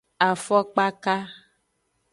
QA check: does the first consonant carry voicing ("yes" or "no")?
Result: no